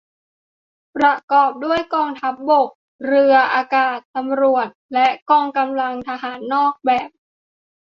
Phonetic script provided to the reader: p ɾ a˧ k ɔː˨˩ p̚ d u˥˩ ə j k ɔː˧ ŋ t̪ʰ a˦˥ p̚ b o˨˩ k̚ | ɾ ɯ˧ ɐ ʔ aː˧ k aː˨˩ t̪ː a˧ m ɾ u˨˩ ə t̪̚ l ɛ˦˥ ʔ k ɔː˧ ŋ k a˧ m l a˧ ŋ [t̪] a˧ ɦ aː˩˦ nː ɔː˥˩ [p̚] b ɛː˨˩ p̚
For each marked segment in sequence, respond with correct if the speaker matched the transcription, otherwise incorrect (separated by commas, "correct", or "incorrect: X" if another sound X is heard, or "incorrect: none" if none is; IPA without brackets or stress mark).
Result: incorrect: t̪ʰ, incorrect: k̚